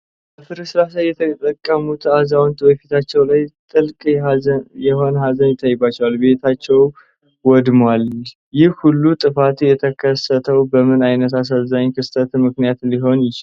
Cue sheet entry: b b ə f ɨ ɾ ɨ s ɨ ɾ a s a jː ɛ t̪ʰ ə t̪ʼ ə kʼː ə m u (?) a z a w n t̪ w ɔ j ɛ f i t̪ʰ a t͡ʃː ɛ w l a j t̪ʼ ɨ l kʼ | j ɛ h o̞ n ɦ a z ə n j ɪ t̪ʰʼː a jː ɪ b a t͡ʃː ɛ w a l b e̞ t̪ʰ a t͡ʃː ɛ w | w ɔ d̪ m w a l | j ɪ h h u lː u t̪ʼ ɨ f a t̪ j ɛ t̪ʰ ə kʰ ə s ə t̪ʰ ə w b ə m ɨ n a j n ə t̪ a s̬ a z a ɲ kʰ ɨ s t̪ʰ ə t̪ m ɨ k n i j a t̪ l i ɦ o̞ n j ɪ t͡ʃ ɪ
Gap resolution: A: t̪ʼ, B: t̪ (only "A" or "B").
B